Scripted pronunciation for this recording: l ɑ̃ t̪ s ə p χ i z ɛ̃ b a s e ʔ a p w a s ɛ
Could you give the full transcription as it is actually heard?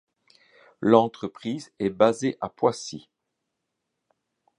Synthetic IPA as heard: l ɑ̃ t̪ χ ə p χ i z ɛ b a z e ʔ a p w a s i